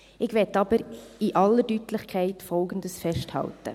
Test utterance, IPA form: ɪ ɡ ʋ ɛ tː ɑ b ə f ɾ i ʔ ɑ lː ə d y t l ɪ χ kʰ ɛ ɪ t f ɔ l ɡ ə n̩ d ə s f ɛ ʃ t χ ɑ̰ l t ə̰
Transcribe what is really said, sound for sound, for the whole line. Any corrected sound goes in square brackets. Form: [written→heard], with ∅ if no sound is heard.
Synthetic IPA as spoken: ɪ ɡ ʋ ɛ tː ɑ b ə [f→∅] ɾ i ʔ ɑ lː ə d y t l ɪ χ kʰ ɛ ɪ t f ɔ l ɡ ə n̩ d ə s f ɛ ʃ t [χ→h] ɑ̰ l t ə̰